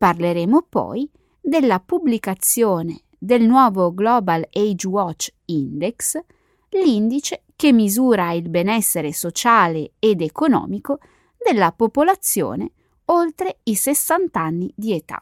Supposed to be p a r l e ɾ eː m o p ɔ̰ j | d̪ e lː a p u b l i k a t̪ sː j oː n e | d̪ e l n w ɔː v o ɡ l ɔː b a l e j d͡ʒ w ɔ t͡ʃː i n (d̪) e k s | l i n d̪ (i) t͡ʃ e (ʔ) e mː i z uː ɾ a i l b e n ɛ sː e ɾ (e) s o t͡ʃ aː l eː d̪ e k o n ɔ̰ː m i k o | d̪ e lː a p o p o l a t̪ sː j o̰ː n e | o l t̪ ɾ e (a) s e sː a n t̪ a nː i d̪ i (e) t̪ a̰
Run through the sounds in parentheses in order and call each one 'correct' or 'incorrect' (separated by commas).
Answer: correct, correct, incorrect, correct, incorrect, correct